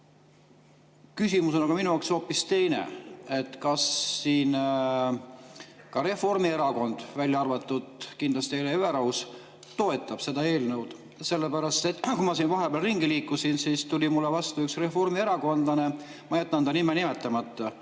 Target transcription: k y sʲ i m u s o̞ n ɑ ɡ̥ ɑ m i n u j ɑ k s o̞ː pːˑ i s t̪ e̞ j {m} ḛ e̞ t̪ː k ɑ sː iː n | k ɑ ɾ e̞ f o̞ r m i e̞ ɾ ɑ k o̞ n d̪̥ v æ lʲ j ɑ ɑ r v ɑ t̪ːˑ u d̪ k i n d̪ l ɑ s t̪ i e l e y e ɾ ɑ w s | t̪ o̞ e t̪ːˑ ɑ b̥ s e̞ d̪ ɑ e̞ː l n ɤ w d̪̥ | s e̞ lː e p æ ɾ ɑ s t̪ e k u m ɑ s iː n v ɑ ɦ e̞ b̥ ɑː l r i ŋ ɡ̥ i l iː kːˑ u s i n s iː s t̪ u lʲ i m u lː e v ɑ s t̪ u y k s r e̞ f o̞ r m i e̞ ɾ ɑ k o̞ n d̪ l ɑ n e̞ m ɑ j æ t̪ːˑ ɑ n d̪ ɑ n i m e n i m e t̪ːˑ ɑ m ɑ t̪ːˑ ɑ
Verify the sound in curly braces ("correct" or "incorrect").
incorrect